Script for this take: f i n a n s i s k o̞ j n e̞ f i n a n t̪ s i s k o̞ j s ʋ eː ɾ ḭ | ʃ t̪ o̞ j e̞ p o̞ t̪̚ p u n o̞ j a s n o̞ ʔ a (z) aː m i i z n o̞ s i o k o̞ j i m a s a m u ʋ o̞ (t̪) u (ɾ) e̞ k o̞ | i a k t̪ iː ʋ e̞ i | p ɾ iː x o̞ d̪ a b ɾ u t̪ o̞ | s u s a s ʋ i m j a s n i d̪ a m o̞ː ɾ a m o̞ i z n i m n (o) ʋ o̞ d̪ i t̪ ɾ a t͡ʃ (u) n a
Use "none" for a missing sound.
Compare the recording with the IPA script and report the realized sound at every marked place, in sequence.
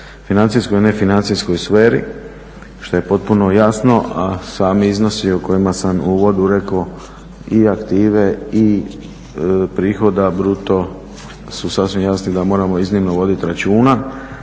s, d̪, ɾ, o, uː

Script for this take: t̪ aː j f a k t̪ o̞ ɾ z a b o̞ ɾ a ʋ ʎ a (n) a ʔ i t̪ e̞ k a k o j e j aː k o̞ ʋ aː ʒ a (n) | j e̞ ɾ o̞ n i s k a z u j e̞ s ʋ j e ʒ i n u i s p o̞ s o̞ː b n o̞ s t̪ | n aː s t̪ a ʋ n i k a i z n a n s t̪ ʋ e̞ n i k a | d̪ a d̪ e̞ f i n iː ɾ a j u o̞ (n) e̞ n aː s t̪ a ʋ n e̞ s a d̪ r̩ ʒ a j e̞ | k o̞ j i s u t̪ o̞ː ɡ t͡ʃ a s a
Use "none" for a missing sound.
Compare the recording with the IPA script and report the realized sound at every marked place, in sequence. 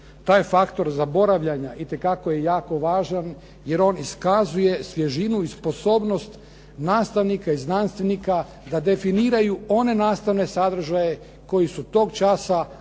ɲ, n, n

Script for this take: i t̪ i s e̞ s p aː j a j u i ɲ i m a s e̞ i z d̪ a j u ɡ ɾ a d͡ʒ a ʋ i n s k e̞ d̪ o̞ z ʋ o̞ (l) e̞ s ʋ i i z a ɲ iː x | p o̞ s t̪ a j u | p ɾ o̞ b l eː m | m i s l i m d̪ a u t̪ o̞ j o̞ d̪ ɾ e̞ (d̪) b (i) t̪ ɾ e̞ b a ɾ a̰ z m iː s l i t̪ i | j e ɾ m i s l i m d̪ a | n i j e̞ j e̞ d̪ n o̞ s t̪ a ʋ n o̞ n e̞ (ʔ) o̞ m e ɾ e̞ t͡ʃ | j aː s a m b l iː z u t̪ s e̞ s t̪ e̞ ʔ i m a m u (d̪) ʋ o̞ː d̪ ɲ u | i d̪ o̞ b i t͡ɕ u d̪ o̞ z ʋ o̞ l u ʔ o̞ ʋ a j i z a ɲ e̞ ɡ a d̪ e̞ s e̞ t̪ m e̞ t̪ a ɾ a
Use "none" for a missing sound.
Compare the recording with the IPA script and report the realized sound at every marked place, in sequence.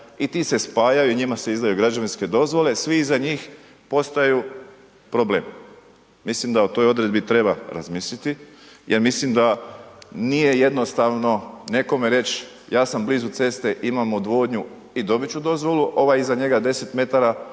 l, d̪, i, k, d̪

